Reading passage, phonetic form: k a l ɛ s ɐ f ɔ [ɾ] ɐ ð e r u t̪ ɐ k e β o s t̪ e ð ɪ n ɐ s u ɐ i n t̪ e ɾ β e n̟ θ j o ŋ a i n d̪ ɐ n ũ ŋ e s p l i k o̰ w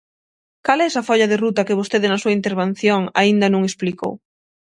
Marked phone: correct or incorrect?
incorrect